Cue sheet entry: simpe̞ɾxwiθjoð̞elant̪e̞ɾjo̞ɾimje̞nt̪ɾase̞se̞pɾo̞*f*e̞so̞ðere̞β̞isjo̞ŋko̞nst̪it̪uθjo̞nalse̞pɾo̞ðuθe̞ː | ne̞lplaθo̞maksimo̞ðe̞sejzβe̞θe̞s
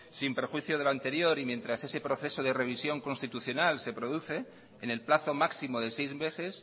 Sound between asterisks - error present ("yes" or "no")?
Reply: yes